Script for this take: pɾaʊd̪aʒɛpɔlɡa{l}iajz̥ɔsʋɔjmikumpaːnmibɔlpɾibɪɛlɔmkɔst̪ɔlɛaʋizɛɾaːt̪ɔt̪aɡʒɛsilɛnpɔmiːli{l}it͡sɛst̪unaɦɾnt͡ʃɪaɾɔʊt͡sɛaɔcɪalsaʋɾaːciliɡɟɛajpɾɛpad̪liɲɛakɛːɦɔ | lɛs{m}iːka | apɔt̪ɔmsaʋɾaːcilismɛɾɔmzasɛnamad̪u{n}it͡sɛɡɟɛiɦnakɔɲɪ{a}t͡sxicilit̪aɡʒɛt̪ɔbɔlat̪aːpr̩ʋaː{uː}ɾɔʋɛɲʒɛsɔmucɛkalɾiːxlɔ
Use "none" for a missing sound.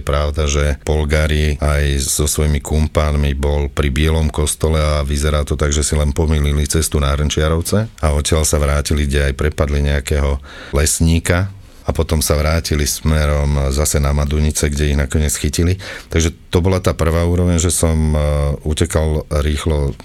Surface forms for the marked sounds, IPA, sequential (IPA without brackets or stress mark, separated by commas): ɾ, l, ɲ, ɲ, ɛ, uː